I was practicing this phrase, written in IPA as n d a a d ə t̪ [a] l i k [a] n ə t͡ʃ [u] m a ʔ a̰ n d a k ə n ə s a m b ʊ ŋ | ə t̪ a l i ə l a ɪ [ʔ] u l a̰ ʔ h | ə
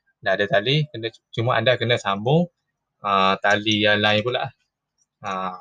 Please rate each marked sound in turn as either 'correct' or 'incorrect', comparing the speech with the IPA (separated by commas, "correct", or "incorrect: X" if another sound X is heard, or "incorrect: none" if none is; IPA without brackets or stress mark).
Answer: correct, incorrect: ə, correct, incorrect: p